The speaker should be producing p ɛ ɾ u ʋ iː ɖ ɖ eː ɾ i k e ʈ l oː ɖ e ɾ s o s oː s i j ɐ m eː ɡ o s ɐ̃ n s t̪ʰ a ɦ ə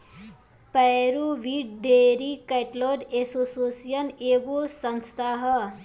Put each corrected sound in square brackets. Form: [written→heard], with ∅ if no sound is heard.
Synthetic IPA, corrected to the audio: p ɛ ɾ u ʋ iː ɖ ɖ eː ɾ i k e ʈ l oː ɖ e [ɾ→∅] s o s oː s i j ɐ [m→n] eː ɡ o s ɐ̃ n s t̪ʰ a ɦ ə